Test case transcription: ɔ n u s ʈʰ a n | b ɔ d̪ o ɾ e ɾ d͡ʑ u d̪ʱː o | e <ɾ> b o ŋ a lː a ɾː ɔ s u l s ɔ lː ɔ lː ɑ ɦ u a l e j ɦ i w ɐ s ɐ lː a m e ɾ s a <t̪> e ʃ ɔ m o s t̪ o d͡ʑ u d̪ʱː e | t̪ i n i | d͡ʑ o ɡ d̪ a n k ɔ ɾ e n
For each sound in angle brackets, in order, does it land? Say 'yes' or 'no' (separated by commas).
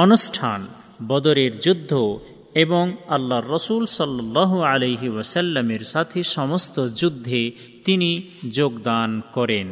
no, no